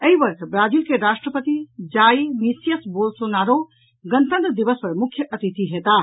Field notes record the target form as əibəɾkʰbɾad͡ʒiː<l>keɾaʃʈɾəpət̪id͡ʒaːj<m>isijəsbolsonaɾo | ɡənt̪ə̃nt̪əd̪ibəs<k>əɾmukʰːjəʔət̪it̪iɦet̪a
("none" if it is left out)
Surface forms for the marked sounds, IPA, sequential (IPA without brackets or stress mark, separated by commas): l, m, p